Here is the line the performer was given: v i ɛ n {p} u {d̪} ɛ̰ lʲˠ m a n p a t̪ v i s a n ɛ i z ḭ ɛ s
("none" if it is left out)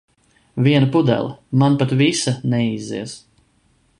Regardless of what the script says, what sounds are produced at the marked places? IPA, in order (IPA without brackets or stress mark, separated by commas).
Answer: p, d̪